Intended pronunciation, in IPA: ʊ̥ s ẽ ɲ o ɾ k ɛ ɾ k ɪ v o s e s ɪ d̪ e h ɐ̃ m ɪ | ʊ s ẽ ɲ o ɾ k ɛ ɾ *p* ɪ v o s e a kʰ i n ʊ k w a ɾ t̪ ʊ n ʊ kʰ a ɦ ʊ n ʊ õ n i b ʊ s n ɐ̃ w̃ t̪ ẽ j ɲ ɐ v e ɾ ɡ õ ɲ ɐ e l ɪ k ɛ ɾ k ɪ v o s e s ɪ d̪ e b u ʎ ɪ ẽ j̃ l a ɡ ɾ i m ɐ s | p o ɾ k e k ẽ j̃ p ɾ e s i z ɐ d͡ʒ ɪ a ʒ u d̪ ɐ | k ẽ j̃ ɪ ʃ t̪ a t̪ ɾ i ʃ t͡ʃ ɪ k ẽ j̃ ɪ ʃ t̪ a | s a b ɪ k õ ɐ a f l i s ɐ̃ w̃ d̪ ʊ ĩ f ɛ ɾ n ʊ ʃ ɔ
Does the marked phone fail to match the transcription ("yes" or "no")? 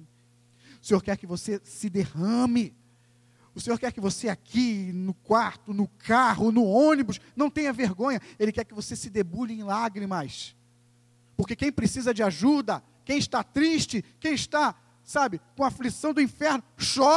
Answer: yes